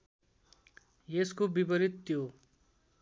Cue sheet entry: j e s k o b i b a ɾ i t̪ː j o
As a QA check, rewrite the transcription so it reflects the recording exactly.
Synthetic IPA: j e s k o b i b ʌ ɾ i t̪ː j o